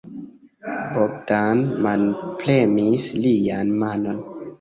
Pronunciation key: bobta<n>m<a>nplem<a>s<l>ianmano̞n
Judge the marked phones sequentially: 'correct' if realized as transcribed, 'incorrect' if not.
correct, correct, incorrect: i, correct

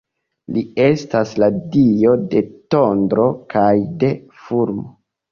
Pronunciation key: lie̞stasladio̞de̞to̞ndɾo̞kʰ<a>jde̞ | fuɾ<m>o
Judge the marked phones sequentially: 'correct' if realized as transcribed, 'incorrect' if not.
correct, correct

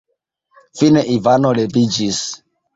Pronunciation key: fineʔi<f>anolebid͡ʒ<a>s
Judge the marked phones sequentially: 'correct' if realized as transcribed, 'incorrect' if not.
incorrect: v, incorrect: i

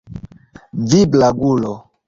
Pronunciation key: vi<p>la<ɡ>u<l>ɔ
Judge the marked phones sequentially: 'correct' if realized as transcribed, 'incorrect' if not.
incorrect: b, correct, correct

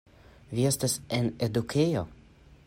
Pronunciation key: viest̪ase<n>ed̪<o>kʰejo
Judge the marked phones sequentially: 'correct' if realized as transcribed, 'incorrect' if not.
correct, incorrect: u

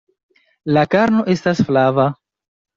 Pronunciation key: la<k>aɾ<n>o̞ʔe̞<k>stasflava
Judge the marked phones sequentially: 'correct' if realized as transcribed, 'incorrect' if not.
correct, correct, incorrect: none

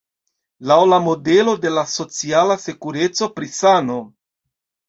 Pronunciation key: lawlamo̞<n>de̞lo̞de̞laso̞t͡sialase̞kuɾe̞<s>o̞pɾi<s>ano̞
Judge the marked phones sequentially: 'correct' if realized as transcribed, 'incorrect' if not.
incorrect: none, incorrect: t͡s, correct

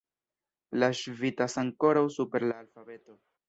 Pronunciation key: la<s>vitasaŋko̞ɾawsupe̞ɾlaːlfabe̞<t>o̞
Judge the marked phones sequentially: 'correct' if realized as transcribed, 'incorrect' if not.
incorrect: ʃ, correct

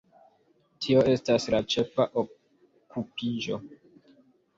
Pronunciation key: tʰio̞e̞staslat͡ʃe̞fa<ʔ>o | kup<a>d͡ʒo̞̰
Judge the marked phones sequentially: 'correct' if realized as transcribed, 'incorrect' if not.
correct, incorrect: i

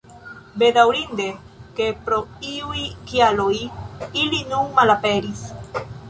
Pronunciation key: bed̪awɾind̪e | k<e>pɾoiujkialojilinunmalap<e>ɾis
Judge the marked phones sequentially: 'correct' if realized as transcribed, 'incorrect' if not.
correct, correct

